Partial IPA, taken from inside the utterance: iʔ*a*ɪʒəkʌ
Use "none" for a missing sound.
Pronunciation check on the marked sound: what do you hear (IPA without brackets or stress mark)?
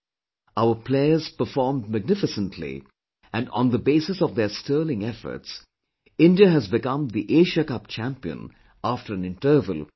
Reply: e